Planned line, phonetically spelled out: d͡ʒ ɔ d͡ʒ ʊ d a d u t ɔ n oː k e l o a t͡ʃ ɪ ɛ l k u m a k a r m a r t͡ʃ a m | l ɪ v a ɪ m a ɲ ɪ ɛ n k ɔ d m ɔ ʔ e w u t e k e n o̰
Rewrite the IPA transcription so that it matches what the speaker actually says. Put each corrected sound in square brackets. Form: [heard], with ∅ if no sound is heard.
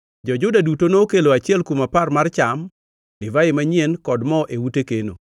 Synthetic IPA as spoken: d͡ʒ ɔ d͡ʒ ʊ d a d u t [o] n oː k e l o a t͡ʃ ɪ ɛ l k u m a [p] a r m a r t͡ʃ a m | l ɪ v a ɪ m a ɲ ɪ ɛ n k ɔ d m ɔ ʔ e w u t e k e n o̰

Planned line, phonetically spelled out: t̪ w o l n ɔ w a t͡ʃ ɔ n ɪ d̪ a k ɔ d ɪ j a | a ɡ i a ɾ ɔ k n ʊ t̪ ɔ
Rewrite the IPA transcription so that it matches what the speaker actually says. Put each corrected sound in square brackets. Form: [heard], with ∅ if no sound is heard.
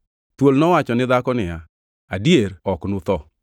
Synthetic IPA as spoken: t̪ w o l n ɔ w a t͡ʃ ɔ n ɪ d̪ a k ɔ [n] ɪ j a | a [d] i [e] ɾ ɔ k n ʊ t̪ ɔ

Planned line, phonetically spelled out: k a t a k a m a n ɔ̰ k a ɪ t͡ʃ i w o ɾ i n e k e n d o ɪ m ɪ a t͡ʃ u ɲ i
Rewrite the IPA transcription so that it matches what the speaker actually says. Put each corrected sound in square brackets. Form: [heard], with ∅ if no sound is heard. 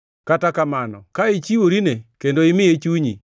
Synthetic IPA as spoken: k a t a k a m a n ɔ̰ k a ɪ t͡ʃ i w o ɾ i n e k e n d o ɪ m ɪ [e] t͡ʃ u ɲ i

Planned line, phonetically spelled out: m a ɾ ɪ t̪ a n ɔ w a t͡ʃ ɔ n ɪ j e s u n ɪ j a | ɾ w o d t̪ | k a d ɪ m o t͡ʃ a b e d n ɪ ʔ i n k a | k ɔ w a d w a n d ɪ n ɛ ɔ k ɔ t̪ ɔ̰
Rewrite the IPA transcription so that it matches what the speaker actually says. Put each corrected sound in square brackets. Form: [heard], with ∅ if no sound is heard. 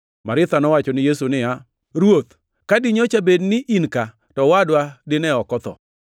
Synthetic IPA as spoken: m a ɾ ɪ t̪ a n ɔ w a t͡ʃ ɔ n ɪ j e s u n ɪ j a | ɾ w o [∅] t̪ | k a d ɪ [ɲ] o t͡ʃ a b e d n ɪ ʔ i n k a | [t] ɔ w a d w a [∅] d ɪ n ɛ ɔ k ɔ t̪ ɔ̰

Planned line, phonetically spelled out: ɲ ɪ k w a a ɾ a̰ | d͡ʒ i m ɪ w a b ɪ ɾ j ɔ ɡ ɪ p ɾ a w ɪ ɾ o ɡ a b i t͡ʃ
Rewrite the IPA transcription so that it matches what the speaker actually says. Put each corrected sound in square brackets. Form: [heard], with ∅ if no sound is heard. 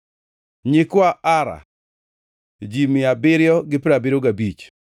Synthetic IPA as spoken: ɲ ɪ k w a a ɾ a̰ | d͡ʒ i m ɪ [∅] a b ɪ ɾ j ɔ ɡ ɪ p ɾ a [b] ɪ ɾ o ɡ a b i t͡ʃ

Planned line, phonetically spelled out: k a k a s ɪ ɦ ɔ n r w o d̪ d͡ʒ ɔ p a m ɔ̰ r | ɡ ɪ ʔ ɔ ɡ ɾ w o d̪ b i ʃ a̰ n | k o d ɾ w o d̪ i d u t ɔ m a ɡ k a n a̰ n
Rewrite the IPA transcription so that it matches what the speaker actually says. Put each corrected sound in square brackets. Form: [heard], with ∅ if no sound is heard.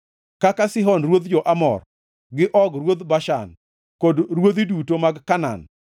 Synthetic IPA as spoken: k a k a s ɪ ɦ ɔ n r w o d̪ d͡ʒ ɔ [ʔ] a m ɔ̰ r | ɡ ɪ ʔ ɔ ɡ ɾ w o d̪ b [a] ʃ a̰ n | k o d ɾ w o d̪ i d u t [o] m a ɡ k a n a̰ n

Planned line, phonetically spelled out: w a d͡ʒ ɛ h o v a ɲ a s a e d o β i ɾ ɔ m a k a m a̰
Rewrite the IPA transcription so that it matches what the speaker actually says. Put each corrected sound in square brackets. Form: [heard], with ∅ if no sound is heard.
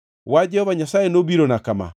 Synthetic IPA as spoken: w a d͡ʒ ɛ h [ɔ] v a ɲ a s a e [n] o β i ɾ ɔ [n] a k a m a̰

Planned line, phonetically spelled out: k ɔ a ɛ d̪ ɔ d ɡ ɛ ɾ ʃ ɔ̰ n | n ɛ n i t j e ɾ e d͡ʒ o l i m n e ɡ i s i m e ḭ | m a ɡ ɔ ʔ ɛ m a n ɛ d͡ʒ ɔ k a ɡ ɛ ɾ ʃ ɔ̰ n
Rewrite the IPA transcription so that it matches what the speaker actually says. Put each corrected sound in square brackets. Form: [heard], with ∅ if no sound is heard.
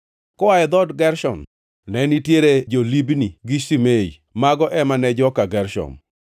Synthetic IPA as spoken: k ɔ a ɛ d̪ ɔ d ɡ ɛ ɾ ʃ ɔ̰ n | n ɛ n i t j e ɾ e d͡ʒ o l i [b] n [i] ɡ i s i m e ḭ | m a ɡ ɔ ʔ ɛ m a n ɛ d͡ʒ ɔ k a ɡ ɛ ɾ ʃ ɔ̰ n

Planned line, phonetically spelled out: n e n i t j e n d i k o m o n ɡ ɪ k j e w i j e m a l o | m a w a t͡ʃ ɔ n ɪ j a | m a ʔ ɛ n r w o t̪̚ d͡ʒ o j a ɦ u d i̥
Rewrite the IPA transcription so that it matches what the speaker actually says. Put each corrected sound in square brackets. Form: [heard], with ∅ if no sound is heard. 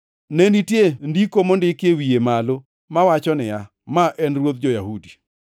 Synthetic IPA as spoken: n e n i t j e n d i k o m o n [d] ɪ k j e w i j e m a l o | m a w a t͡ʃ ɔ n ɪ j a | m a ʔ ɛ n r w o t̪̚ d͡ʒ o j a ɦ u d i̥

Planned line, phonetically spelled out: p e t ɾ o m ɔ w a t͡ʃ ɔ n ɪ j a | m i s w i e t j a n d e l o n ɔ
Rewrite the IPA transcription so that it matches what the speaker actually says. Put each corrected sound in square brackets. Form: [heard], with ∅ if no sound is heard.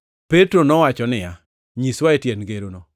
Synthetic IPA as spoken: p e t ɾ o [n] ɔ w a t͡ʃ ɔ n ɪ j a | [ɲ] i s w [a] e t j [e] n [ɡ] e [ɾ] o n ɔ

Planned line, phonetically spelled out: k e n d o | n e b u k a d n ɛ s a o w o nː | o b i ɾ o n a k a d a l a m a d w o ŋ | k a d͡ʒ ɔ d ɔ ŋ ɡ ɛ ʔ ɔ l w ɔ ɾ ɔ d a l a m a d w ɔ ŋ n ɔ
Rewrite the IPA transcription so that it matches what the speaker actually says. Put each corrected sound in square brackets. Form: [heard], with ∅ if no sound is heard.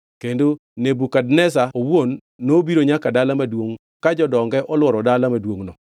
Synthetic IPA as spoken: k e n d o | n e b u k a d n ɛ s a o w o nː | o b i ɾ o [ɲ] a k a d a l a m a d w o ŋ | k a d͡ʒ ɔ d ɔ ŋ ɡ ɛ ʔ ɔ l w ɔ ɾ ɔ d a l a m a d w [o] ŋ n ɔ

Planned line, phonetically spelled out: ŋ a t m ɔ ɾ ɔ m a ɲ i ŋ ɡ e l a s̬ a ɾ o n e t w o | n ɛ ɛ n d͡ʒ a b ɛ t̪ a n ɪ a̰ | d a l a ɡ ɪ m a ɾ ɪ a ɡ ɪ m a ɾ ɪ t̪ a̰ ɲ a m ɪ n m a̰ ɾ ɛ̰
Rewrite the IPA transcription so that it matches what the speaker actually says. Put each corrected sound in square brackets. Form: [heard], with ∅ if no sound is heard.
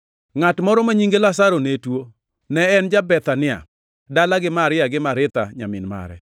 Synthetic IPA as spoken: ŋ a t m ɔ ɾ ɔ m a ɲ i ŋ ɡ e l a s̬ a ɾ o n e t w o | n ɛ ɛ n d͡ʒ a b ɛ t̪ a n ɪ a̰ | d a l a ɡ ɪ m a ɾ ɪ a ɡ ɪ m a ɾ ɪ t̪ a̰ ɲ a m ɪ n m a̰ ɾ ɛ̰

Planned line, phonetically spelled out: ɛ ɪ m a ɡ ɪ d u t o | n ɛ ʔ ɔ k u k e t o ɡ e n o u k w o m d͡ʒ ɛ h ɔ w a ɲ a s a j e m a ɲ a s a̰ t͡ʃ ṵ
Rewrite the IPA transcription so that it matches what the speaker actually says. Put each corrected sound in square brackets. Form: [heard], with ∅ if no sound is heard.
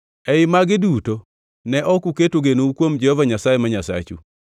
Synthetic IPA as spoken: ɛ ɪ m a ɡ ɪ d u t o | n ɛ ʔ ɔ k u k e t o ɡ e n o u k w o m d͡ʒ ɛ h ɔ [v] a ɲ a s a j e m a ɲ a s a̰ t͡ʃ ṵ

